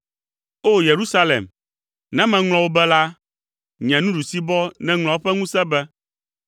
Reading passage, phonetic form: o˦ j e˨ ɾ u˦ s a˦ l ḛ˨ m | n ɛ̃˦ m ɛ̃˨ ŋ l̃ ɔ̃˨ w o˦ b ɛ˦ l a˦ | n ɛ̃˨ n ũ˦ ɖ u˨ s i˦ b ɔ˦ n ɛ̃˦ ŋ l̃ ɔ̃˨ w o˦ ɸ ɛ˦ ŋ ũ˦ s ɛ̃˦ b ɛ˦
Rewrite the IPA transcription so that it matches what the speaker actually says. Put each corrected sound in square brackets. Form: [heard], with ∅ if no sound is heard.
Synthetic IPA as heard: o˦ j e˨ ɾ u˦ s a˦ l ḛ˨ m | n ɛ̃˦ m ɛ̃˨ ŋ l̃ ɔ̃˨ w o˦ b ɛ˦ l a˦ | [ɲ] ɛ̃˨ n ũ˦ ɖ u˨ s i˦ b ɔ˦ n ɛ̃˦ ŋ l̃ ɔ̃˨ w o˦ ɸ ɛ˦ ŋ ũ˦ s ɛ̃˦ b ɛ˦